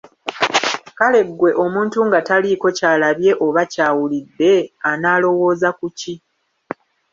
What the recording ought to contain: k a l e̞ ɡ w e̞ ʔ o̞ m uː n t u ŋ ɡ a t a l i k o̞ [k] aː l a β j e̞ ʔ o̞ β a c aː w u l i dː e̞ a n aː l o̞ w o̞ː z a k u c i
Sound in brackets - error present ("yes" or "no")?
yes